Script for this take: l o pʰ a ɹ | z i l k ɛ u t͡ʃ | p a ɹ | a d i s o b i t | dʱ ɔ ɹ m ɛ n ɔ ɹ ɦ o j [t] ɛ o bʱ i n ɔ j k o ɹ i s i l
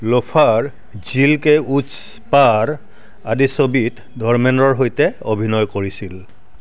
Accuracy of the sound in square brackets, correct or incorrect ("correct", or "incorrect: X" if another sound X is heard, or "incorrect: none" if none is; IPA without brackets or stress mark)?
correct